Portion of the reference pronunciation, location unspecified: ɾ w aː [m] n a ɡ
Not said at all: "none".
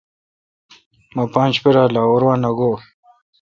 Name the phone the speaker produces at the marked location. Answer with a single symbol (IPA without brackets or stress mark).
none